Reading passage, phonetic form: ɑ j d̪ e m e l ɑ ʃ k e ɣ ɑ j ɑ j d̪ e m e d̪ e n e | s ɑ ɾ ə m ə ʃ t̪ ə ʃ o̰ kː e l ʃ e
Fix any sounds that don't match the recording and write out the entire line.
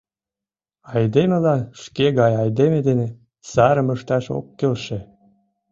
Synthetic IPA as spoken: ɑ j d̪ e m e l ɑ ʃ k e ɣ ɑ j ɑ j d̪ e m e d̪ e n e | s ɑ ɾ ə m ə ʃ t̪ ɑ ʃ o̰ kː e l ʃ e